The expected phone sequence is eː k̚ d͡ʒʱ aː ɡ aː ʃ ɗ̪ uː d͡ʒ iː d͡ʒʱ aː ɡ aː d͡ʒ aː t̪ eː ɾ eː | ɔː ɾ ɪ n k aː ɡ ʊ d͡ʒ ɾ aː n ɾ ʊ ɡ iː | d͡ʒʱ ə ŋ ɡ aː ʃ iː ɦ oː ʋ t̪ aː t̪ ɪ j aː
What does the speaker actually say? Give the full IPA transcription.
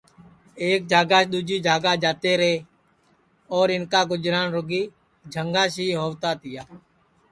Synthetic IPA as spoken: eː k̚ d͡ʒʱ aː ɡ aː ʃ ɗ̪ uː d͡ʒ iː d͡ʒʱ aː ɡ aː d͡ʒ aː t̪ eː ɾ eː | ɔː ɾ ɪ n k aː ɡ ʊ d͡ʒ ɾ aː n ɾ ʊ ɡ iː | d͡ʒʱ ə ŋ ɡ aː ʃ iː ɦ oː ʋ t̪ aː t̪ ɪ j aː